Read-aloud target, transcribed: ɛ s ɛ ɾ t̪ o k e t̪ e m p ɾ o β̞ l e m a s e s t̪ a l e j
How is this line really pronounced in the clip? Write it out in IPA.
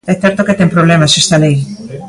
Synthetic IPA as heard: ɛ θ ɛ ɾ t̪ o k e t̪ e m p ɾ o β̞ l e m a s e s t̪ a l e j